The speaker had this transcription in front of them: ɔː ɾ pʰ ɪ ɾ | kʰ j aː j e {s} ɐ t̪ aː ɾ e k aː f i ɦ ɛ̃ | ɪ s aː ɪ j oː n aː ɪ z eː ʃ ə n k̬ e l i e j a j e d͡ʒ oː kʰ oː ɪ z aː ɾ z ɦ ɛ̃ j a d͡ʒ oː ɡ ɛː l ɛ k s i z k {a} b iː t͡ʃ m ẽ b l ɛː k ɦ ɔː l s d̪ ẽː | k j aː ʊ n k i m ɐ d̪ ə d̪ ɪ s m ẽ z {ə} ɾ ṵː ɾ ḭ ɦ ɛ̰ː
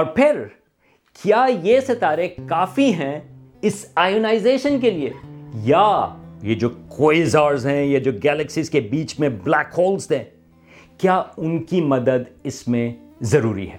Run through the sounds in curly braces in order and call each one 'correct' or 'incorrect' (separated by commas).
correct, incorrect, incorrect